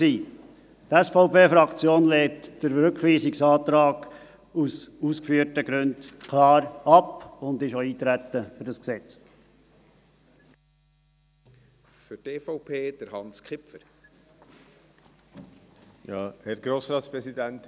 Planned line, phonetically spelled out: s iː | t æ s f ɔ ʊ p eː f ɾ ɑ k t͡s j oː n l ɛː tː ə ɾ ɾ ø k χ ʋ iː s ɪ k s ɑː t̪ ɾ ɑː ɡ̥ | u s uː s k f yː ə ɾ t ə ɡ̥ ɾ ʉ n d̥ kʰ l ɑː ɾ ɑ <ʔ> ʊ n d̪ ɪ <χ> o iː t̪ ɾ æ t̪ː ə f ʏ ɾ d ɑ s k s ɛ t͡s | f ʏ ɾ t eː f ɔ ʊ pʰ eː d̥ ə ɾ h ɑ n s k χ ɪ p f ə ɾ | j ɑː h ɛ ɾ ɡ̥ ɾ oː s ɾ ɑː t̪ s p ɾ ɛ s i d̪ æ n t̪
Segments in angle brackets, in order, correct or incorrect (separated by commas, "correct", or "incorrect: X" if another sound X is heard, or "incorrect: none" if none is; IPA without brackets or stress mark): incorrect: p, incorrect: ʃ